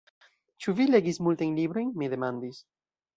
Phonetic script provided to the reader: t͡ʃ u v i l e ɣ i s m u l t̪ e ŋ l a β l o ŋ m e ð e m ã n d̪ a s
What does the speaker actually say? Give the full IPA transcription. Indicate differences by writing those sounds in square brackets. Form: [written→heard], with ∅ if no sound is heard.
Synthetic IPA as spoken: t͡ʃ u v i l e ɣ i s m u l t̪ e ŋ l [a→i] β [l→ɾ] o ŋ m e ð e m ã n d̪ [a→i] s